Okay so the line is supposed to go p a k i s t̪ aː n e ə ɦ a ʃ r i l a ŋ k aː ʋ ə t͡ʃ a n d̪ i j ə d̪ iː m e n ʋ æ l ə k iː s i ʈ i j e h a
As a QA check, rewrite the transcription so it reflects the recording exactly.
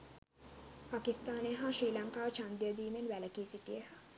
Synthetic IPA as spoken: p a k i s t̪ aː n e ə ɦ a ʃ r iː l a ŋ k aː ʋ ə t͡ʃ a n d̪ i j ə d̪ iː m e n ʋ æ l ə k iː s i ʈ i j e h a

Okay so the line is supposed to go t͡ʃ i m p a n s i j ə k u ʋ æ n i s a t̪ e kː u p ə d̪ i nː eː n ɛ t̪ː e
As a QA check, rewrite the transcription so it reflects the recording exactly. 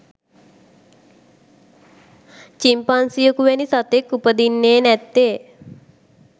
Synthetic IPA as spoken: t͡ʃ i m p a n s i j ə k u ʋ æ n i s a t̪ e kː u p ə d̪ i nː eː n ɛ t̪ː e

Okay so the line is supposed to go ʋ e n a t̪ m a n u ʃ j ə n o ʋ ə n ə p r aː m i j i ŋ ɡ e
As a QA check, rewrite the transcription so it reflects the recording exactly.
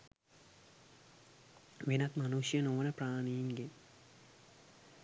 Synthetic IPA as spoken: ʋ e n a t̪ m a n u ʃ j ə n o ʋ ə n ə p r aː n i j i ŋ ɡ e

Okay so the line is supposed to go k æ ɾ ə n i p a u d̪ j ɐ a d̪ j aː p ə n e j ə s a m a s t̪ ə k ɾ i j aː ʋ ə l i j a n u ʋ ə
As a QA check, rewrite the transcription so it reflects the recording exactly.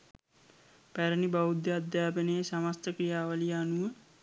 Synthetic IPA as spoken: p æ ɾ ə n i b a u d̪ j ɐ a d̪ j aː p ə n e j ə s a m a s t̪ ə k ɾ i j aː ʋ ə l i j a n u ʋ ə

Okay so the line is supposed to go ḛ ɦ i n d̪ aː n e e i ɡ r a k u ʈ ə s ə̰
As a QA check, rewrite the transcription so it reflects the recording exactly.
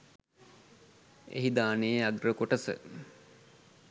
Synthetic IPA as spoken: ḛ ɦ i d̪ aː n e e a ɡ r ə k o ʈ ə s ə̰

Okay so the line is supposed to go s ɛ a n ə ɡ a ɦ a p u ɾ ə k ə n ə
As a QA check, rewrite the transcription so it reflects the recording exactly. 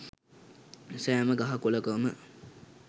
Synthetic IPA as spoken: s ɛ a m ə ɡ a ɦ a k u l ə k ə m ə

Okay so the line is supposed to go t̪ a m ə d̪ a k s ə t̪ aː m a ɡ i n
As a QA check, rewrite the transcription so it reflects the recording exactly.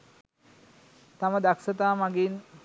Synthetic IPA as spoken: t̪ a m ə d̪ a k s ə t̪ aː m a ɡ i n

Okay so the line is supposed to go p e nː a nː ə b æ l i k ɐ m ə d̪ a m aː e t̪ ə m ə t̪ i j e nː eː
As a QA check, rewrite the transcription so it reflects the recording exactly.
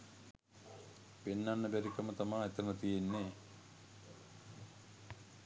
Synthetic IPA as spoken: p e nː a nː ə b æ ɾ i k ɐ m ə t̪ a m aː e t̪ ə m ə t̪ i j e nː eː

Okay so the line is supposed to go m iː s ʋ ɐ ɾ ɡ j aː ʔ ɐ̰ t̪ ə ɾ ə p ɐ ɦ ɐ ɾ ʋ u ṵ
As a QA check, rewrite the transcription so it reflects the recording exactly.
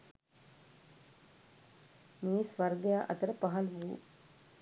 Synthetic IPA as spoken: m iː s ʋ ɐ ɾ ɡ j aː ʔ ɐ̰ t̪ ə ɾ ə p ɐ ɦ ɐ l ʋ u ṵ

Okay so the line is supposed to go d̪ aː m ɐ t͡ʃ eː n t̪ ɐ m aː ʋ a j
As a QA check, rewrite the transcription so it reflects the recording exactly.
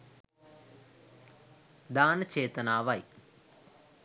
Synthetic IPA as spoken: d̪ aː n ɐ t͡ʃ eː t̪ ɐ n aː ʋ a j

